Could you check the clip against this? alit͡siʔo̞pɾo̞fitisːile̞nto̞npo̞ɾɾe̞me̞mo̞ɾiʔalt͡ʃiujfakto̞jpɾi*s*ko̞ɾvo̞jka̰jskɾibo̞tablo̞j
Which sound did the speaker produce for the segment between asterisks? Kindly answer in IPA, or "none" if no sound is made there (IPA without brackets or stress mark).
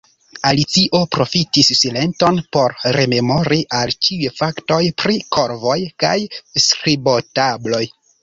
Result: none